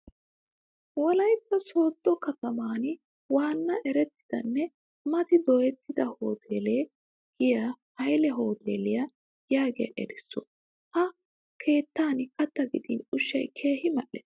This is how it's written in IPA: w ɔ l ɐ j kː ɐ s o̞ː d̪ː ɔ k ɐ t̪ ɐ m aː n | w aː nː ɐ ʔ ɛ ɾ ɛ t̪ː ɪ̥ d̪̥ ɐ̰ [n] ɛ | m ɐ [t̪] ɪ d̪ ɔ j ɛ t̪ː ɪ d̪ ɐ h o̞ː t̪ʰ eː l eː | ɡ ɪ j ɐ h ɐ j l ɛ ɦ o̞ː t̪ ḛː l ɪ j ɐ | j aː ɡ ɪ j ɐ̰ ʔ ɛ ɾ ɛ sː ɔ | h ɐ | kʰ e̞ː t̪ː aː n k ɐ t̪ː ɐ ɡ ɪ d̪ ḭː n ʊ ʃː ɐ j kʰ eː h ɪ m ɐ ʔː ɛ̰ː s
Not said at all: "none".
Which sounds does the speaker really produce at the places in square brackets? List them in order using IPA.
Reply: nː, t̪

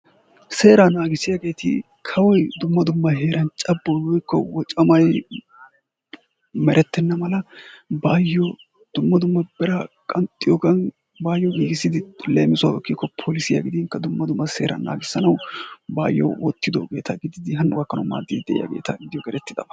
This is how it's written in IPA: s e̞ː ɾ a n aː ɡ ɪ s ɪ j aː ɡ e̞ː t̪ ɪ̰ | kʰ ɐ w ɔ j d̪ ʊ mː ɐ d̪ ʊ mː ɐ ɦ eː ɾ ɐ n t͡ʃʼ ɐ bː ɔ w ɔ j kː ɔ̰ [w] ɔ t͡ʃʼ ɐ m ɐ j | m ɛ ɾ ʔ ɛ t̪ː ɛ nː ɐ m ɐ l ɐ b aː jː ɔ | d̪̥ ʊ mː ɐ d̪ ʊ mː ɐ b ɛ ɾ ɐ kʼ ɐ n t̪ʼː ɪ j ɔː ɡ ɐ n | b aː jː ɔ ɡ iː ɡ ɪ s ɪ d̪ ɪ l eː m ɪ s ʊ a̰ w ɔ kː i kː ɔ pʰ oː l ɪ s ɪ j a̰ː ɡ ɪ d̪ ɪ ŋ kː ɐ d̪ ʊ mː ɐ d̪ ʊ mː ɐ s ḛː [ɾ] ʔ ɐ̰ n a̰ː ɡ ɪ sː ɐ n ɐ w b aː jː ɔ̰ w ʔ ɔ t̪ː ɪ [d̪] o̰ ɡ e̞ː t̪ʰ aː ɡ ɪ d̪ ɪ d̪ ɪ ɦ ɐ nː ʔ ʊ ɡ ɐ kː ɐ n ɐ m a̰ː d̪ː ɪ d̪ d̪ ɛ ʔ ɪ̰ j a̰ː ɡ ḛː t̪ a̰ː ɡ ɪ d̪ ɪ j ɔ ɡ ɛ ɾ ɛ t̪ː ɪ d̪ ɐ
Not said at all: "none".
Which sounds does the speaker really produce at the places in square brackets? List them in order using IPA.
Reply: w, ɾ, d̪

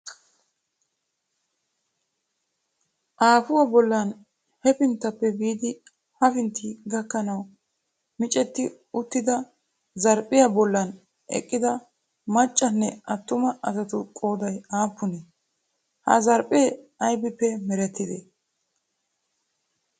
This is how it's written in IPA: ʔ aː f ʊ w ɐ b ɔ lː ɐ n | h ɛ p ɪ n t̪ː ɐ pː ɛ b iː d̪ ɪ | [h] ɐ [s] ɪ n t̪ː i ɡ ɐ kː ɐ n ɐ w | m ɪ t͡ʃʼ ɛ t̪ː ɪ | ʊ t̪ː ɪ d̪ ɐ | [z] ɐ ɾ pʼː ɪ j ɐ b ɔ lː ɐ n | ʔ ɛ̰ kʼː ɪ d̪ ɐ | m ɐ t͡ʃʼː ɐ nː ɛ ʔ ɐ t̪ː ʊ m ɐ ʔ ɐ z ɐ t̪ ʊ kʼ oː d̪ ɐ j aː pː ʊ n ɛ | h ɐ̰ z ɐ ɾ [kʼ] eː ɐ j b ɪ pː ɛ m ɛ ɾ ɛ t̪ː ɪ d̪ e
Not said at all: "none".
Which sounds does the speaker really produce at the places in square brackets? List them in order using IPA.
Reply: h, f, z, pʼ

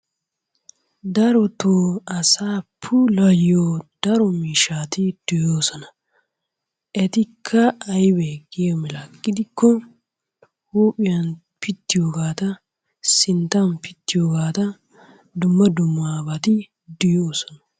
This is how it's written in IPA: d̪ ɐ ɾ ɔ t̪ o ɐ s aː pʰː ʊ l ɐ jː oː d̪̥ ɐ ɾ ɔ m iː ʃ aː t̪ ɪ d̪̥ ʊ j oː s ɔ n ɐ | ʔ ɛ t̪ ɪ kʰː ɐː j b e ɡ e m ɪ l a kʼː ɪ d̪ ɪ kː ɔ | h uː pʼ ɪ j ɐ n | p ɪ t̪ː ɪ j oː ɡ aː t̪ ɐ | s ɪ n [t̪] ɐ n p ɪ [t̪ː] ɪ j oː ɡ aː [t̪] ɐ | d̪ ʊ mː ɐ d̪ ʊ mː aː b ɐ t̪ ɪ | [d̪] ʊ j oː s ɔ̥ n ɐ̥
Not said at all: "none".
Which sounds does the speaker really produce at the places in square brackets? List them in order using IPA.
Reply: t̪, t̪ː, t̪, d̪

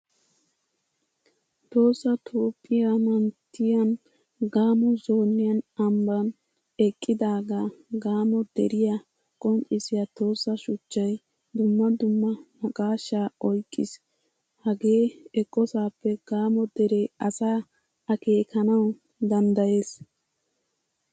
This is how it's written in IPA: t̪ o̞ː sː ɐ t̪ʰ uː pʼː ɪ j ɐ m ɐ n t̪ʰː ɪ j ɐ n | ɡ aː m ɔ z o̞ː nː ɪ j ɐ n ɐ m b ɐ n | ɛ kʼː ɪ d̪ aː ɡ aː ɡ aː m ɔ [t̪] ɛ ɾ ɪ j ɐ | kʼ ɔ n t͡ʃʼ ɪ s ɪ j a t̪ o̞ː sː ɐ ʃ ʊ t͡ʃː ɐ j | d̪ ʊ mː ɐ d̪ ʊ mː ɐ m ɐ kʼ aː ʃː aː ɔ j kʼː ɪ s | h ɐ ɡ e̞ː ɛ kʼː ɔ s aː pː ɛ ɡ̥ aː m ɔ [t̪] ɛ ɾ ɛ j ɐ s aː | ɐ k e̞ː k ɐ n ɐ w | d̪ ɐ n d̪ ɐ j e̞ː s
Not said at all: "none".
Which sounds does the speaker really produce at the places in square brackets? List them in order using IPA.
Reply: d̪, d̪

